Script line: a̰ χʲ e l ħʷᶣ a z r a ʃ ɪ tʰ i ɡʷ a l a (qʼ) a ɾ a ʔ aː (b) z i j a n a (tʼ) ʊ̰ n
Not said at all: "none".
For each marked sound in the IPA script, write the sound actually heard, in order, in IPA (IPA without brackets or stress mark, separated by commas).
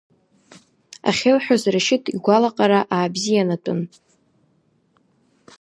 qʼ, b, tʼ